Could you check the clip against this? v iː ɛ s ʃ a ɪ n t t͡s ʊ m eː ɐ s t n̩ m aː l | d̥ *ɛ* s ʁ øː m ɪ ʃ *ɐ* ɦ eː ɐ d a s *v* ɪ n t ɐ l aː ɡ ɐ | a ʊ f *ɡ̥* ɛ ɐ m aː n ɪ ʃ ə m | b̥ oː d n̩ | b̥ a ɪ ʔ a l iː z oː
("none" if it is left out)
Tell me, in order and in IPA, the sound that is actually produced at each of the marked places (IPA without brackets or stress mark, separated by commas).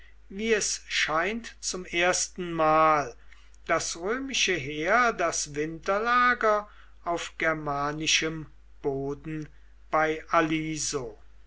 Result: a, ə, v, ɡ̥